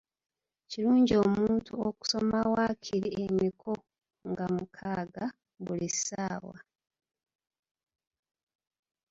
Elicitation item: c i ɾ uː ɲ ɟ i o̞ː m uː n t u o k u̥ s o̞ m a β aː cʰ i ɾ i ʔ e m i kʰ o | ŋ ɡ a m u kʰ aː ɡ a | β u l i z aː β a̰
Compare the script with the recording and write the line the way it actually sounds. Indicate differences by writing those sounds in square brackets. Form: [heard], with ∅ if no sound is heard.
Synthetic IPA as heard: c i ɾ uː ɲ ɟ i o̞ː m uː n t u o k u̥ s o̞ m a [w] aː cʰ i ɾ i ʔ e m i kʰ o | ŋ ɡ a m u kʰ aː ɡ a | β u l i [s] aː [w] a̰